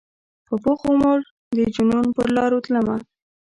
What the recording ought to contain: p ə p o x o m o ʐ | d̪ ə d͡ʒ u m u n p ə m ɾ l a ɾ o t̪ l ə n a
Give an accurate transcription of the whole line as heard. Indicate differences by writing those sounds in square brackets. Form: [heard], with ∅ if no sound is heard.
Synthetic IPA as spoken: p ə p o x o m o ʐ | d̪ ə d͡ʒ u [n] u n p ə [∅] ɾ l [ɑ] ɾ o t̪ l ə [m] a